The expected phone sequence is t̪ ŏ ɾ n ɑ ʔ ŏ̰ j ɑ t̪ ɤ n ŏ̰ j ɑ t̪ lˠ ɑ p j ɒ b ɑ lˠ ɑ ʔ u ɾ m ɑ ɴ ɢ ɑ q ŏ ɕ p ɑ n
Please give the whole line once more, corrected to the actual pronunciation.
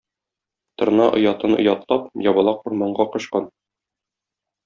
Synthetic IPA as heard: t̪ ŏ ɾ n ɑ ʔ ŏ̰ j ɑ t̪ ɤ n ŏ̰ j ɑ t̪ lˠ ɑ p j ɒ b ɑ lˠ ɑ q u ɾ m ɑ ɴ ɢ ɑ q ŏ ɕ q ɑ n